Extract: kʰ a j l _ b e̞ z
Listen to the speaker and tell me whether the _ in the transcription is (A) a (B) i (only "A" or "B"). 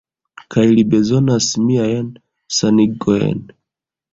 B